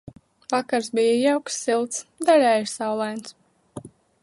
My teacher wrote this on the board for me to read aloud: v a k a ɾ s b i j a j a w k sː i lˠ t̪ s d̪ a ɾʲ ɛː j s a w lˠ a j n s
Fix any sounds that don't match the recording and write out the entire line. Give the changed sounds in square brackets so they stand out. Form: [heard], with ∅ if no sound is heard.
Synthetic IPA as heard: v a k a ɾ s b i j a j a w k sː i lˠ t̪ s d̪ a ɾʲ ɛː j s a w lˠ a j n s